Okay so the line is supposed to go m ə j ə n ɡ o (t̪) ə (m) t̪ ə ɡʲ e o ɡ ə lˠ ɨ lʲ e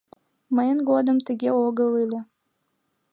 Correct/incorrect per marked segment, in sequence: incorrect, correct

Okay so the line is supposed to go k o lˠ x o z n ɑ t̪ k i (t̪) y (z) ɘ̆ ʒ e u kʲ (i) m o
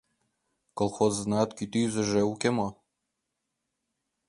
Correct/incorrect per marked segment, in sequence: correct, correct, incorrect

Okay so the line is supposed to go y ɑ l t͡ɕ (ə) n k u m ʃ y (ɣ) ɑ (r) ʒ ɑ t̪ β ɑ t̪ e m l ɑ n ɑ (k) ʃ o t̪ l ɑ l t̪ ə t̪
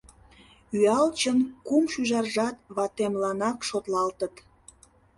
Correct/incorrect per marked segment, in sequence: correct, incorrect, correct, correct

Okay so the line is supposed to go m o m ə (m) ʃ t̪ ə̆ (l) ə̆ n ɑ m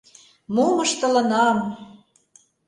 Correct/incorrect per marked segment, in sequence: incorrect, correct

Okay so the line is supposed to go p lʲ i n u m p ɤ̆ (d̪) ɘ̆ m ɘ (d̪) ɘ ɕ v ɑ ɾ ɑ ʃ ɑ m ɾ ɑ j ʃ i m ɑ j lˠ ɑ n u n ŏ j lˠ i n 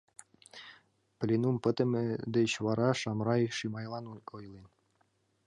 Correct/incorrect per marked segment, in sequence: incorrect, correct

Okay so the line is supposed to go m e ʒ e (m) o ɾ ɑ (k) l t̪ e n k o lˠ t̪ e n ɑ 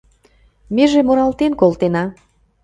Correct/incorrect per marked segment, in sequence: correct, incorrect

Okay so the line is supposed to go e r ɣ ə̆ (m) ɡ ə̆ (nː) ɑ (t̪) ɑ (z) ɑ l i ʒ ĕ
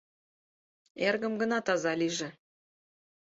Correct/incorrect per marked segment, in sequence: correct, incorrect, correct, correct

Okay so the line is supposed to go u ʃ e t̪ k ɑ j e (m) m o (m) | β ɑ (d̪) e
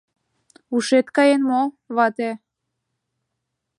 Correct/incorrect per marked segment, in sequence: incorrect, incorrect, incorrect

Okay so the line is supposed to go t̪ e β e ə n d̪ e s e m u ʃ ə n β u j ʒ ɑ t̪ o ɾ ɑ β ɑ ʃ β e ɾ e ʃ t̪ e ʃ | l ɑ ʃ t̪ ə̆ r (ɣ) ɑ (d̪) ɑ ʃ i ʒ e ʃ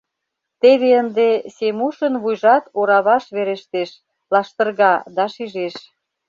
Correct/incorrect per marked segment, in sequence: correct, correct

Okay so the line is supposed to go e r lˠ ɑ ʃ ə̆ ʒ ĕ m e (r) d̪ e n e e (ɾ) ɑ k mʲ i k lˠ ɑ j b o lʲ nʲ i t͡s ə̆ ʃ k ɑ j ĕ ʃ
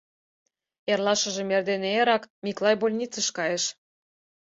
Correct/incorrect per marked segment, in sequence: correct, correct

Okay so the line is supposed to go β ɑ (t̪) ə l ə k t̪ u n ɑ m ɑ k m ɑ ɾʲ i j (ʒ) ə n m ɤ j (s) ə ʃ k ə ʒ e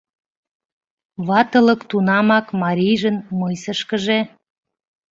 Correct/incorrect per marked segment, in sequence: correct, correct, correct

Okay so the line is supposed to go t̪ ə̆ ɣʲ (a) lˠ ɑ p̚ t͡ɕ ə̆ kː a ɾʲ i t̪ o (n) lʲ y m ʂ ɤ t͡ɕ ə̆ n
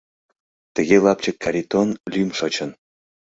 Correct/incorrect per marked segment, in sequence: incorrect, correct

